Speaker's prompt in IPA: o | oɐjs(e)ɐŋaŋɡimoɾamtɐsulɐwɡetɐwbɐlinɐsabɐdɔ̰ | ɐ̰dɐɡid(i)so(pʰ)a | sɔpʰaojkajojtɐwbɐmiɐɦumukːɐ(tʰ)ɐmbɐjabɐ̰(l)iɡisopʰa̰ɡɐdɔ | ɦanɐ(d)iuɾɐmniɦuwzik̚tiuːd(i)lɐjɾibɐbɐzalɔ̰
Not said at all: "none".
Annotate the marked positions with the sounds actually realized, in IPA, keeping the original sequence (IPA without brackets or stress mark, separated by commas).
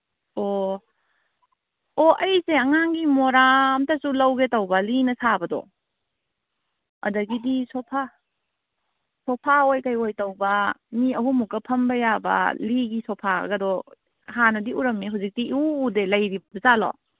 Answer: e, i, pʰ, pʰ, l, d, e